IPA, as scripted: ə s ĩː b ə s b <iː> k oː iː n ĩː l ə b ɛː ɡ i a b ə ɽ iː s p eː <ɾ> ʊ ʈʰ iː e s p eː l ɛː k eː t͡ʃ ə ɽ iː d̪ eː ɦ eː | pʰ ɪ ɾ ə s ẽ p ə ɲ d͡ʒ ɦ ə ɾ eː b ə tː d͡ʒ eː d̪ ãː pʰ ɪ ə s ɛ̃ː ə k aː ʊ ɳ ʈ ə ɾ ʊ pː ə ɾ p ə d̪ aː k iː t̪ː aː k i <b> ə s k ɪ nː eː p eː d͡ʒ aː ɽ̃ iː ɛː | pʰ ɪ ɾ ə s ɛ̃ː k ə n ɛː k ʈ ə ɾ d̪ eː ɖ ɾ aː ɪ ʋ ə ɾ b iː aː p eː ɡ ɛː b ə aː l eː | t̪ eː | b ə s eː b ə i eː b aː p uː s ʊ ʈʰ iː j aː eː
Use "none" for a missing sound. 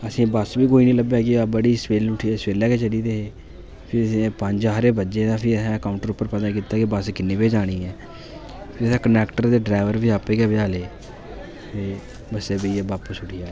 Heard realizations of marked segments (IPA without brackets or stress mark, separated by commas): iː, l, b